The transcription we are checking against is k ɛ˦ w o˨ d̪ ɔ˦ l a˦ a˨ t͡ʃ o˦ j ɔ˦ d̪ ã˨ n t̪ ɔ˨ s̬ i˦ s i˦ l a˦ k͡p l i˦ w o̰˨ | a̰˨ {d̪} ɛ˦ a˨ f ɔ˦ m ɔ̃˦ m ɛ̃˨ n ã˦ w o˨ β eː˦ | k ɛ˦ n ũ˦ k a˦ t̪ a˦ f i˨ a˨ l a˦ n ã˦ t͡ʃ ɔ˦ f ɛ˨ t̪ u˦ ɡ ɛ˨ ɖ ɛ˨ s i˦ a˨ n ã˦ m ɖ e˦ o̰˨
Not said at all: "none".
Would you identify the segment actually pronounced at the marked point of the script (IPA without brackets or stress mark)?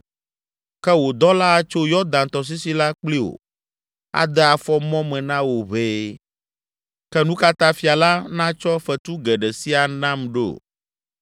d̪